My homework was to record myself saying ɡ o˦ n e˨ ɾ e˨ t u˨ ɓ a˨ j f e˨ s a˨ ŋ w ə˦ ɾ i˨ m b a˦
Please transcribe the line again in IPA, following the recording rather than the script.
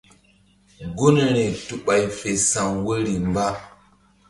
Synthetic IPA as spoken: ɡ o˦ n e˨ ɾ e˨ t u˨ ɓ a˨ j f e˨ s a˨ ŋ w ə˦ ɾ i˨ m b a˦